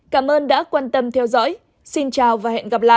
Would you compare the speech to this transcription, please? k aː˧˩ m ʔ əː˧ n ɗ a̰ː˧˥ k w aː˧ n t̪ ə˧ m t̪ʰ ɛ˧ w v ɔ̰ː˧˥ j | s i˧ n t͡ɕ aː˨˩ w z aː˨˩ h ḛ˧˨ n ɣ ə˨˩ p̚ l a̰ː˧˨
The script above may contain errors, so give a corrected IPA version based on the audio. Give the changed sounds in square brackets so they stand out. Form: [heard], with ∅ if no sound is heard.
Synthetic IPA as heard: k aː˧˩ m ʔ əː˧ n ɗ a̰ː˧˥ k w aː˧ n t̪ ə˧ m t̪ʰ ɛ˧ w [z] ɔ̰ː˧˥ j | s i˧ n t͡ɕ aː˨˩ w [v] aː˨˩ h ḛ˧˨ n ɣ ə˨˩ p̚ l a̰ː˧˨